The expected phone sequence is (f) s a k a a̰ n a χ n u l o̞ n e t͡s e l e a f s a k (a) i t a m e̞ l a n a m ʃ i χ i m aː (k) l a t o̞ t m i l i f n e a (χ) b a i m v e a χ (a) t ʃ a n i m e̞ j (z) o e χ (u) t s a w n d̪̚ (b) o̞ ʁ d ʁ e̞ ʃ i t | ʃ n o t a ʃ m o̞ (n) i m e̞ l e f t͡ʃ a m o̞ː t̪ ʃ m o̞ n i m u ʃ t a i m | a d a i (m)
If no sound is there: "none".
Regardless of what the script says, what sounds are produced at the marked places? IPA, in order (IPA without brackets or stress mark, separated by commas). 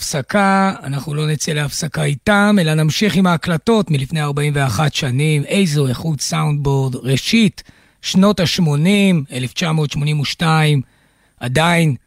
f, a, k, ʁ, a, z, u, b, n, n